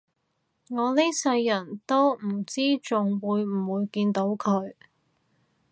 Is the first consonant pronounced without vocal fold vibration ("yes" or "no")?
no